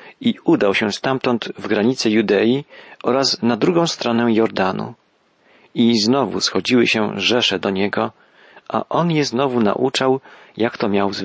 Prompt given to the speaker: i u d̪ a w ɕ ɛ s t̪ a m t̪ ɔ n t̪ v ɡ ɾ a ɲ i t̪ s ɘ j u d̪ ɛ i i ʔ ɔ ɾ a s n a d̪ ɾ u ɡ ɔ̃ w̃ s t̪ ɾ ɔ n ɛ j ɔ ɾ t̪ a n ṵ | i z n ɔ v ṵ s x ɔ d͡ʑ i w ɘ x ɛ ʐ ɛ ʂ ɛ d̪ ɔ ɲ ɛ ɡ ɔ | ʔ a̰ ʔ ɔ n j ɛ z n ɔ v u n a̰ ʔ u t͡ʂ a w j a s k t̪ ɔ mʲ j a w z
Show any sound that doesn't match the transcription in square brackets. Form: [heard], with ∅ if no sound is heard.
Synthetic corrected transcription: i u d̪ a w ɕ ɛ s t̪ a m t̪ ɔ n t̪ v ɡ ɾ a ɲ i t̪ s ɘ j u d̪ ɛ [j] i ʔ ɔ ɾ a s n a d̪ ɾ u ɡ ɔ̃ w̃ s t̪ ɾ ɔ n ɛ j ɔ ɾ [d̪] a n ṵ | i z n ɔ v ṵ s x ɔ d͡ʑ i w ɘ [ɕ] ɛ ʐ ɛ ʂ ɛ d̪ ɔ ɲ ɛ ɡ ɔ | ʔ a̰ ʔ ɔ n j ɛ z n ɔ v u n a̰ ʔ u t͡ʂ a w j a [∅] k t̪ ɔ mʲ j a w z